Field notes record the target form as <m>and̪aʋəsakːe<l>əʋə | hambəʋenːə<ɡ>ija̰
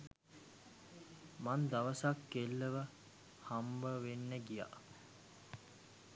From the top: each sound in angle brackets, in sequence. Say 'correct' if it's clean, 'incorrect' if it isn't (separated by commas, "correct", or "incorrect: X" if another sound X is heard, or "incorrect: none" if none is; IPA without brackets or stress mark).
correct, incorrect: lː, correct